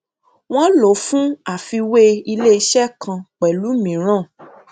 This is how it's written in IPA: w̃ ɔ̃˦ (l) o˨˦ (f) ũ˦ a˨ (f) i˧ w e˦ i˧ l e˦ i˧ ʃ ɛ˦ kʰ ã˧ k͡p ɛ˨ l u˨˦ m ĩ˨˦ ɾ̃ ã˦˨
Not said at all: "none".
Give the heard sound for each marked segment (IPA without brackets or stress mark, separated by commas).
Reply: l, f, f